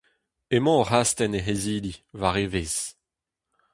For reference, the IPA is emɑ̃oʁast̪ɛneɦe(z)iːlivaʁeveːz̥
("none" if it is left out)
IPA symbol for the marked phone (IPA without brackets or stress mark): z